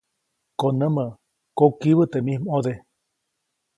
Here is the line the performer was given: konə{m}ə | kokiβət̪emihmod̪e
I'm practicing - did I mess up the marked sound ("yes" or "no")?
no